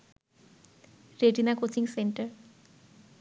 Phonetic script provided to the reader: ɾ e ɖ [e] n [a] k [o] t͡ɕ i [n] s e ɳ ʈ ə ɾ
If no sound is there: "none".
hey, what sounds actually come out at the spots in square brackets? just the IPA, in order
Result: i, a, o, ŋ

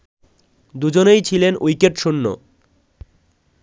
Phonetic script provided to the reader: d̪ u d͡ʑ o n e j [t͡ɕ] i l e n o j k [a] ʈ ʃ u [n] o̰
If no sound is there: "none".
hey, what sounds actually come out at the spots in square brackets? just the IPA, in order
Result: t͡ɕʰ, e, nː

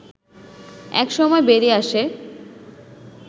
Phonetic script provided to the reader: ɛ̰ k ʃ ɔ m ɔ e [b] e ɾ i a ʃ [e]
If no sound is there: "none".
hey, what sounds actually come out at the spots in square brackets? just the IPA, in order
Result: b, e

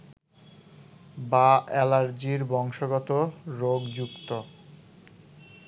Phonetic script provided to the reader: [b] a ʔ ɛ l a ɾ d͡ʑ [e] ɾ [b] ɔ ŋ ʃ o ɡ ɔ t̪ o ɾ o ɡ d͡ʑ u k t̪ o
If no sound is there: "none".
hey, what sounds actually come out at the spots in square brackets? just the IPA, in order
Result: b, i, b

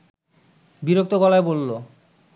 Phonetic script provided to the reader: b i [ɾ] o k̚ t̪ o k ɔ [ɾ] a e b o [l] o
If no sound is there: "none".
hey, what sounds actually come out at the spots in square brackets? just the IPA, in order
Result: ɾ, l, lː

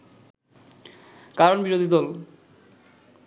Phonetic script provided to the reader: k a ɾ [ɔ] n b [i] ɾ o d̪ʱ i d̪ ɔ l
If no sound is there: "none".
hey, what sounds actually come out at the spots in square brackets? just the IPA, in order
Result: o, i

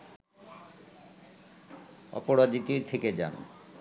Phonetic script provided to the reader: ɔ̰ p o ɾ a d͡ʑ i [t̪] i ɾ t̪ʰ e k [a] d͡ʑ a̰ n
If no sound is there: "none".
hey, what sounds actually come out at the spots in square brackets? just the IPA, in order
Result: t̪, e

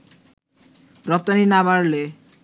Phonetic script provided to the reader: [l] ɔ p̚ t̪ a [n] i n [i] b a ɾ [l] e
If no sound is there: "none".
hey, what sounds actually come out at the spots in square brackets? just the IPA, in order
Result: ɾ, n, a, l

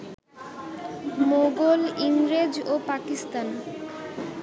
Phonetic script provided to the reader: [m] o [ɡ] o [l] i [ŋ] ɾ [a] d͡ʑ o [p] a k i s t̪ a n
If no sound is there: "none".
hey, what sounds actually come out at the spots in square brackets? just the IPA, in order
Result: m, ɡ, l, ŋ, e, p

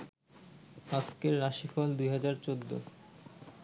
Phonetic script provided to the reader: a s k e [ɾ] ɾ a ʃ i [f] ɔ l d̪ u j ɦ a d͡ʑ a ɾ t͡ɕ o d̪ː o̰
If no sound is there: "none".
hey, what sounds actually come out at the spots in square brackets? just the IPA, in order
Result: ɾ, f

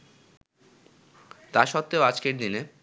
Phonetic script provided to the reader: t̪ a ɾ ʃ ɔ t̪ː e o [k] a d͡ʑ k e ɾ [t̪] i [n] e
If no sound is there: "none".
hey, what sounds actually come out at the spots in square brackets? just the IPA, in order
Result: none, d̪, n

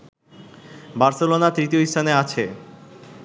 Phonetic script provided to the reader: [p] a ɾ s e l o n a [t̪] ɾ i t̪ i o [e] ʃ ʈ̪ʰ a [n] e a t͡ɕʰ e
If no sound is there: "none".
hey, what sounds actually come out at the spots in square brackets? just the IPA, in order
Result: b, t̪, i, n

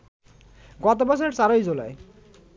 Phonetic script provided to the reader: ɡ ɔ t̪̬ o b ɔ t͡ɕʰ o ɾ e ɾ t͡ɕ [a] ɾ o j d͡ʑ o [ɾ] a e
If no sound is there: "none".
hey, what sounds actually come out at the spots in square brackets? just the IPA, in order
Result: a, l

